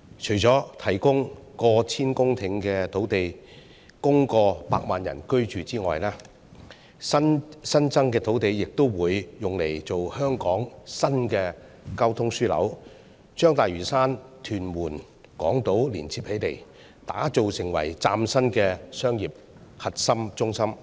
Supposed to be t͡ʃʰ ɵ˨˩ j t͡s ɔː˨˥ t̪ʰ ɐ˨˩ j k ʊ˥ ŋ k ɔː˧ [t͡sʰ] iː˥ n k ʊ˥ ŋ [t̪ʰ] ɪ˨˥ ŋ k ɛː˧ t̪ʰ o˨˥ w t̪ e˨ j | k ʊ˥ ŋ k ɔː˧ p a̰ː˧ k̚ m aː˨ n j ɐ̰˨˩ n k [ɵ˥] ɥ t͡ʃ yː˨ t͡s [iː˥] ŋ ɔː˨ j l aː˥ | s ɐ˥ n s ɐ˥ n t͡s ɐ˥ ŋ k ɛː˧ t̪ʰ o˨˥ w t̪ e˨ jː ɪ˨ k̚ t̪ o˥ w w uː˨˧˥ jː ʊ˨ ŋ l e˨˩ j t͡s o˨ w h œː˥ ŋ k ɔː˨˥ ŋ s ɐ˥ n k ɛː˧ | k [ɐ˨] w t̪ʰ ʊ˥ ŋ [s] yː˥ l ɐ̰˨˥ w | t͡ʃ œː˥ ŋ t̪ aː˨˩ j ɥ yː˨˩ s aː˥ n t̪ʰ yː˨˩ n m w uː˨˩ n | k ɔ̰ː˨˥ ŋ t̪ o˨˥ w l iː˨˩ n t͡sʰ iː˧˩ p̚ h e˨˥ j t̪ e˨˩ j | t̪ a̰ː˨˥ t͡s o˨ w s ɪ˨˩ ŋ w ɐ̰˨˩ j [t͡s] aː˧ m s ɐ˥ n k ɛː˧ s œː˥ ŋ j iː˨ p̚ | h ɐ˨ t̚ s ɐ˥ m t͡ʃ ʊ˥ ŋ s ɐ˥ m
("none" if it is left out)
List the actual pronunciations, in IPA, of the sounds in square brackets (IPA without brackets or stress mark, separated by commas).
t͡sʰ, t̪ʰ, ɵ˥, iː˥, ɐ˥, s, t͡s